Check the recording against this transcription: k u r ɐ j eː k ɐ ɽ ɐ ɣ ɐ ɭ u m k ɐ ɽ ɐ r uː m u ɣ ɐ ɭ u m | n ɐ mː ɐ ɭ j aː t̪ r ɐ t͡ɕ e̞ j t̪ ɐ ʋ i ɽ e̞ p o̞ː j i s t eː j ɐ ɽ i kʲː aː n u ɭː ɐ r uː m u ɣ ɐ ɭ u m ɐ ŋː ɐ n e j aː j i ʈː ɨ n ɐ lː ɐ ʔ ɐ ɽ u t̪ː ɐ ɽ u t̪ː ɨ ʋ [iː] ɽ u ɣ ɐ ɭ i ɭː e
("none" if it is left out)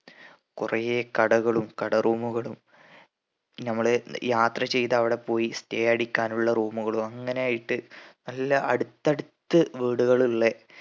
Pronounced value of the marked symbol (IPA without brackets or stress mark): iː